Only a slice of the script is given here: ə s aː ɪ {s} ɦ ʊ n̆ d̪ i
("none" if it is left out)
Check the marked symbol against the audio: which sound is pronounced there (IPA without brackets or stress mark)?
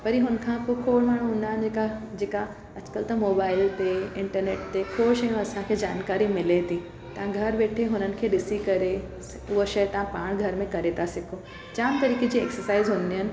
z